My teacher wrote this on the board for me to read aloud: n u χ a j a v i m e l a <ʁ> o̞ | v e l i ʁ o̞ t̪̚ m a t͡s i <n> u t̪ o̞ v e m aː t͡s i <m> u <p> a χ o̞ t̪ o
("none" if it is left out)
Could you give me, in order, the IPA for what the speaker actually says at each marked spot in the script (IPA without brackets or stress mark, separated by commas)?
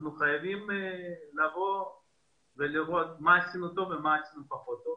v, n, n, p